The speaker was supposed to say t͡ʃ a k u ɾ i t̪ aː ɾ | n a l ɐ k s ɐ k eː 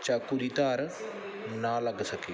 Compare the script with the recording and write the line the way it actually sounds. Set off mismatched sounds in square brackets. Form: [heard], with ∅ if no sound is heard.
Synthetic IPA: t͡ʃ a k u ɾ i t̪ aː ɾ | n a l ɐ [ɡ] s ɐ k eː